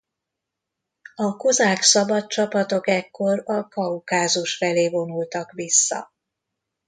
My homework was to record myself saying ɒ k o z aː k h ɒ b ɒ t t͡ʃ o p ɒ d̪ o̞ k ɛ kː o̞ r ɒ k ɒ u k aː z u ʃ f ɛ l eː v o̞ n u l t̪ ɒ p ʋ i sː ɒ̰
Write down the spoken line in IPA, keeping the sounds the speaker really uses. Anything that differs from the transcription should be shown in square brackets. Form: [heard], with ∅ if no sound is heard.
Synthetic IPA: ɒ k o z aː k [s] ɒ b ɒ t t͡ʃ [ɒ] p ɒ [t̪] o̞ k ɛ kː o̞ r ɒ k ɒ u k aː z u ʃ f ɛ l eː v o̞ n u l t̪ ɒ [k] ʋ i sː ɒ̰